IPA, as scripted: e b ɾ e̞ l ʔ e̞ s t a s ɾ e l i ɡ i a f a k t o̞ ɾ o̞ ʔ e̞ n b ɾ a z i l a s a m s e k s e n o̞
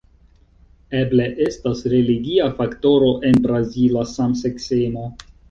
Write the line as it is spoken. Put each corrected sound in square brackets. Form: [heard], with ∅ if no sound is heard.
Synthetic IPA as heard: e b [l] e̞ [∅] ʔ e̞ s t a s ɾ e l i ɡ i a f a k t o̞ ɾ o̞ ʔ e̞ n b ɾ a z i l a s a m s e k s e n o̞